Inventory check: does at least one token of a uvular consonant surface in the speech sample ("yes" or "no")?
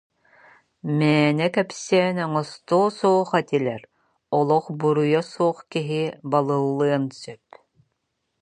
yes